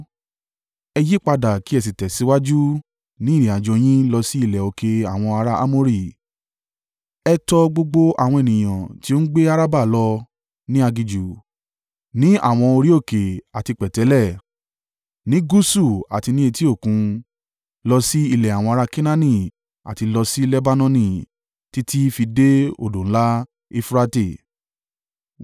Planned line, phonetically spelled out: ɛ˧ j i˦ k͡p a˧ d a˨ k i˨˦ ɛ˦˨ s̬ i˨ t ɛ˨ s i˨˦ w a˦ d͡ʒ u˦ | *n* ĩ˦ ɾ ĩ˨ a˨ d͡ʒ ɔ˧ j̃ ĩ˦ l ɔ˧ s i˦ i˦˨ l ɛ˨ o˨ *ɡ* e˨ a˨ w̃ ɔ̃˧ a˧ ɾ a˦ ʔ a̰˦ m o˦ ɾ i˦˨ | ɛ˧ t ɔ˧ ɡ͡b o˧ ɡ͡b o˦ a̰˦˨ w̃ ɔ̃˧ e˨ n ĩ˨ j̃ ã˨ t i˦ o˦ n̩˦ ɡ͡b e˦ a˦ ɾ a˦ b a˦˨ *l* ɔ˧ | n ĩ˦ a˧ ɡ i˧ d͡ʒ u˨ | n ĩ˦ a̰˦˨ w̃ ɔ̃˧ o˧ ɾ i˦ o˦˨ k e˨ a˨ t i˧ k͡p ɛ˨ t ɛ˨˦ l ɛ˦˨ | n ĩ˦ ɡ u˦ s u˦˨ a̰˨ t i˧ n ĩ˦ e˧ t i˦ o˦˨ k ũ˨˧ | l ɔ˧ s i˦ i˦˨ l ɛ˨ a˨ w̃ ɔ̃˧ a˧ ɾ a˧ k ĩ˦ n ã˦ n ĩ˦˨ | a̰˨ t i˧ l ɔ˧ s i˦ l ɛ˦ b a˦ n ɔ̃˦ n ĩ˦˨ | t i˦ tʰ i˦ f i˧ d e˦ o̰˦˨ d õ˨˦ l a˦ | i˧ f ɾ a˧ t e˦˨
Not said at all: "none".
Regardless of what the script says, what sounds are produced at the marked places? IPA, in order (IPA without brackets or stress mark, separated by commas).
n, k, l